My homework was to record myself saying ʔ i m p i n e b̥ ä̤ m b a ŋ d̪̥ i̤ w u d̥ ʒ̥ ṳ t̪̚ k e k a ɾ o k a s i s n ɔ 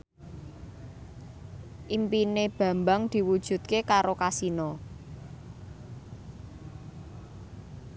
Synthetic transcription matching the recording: ʔ i m p i n e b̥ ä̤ m b a ŋ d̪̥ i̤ w u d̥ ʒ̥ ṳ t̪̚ k e k a ɾ o k a s i n ɔ